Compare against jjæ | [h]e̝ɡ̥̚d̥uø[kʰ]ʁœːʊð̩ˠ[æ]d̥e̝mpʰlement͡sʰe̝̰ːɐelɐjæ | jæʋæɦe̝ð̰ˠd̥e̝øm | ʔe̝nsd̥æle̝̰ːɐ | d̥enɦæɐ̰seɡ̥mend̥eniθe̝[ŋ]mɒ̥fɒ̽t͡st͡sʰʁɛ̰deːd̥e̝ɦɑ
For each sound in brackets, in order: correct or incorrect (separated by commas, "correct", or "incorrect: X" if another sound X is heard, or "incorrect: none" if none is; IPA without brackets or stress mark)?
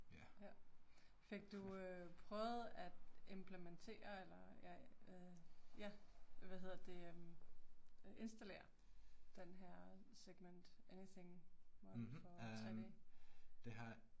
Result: incorrect: f, incorrect: pʰ, correct, correct